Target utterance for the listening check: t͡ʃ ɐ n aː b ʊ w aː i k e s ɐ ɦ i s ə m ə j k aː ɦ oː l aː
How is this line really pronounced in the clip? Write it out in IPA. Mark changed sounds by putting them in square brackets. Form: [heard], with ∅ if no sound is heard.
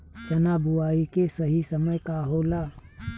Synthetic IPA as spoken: t͡ʃ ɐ n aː b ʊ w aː i k e s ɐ ɦ i s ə m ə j k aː ɦ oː l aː